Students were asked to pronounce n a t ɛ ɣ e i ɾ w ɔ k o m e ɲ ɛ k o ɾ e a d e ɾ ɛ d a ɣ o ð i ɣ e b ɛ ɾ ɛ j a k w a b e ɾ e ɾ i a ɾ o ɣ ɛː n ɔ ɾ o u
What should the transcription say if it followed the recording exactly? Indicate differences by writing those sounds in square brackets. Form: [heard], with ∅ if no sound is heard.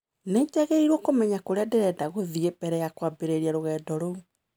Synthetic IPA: n [e] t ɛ ɣ e i ɾ w ɔ k o m [ɛ] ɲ [a] k o ɾ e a d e ɾ ɛ d a ɣ o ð i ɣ e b ɛ ɾ ɛ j a k w a b e ɾ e ɾ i a ɾ o ɣ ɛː [d] ɔ ɾ o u